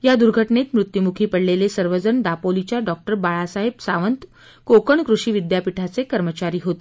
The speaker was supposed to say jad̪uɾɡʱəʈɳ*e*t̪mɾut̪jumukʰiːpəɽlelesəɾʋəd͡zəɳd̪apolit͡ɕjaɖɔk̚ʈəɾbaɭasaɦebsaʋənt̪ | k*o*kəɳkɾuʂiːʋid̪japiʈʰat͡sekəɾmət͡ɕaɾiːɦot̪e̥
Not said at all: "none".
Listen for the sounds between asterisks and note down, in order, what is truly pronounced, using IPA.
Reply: e, o

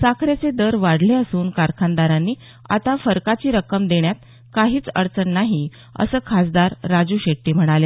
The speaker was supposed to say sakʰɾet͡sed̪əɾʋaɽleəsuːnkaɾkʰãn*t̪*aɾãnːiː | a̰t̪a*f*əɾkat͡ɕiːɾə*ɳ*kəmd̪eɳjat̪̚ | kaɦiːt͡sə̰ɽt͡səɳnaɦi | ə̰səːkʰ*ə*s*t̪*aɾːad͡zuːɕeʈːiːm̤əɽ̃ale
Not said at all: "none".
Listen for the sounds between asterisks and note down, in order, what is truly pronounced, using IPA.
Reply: d̪, f, none, a, d̪

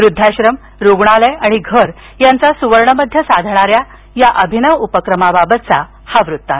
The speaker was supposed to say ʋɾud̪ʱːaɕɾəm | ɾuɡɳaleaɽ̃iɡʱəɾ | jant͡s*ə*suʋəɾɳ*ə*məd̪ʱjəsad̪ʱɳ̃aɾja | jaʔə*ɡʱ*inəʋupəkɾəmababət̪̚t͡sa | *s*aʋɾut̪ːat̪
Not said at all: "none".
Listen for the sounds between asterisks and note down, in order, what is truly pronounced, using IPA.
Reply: a, ə, bʱ, h

